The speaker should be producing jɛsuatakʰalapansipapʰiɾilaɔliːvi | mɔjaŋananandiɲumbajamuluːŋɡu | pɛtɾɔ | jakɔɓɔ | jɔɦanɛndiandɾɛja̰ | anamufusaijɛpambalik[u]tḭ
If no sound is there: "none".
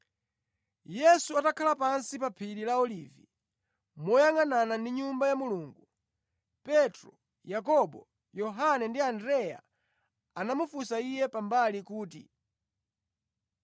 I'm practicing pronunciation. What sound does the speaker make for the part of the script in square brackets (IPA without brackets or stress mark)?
uː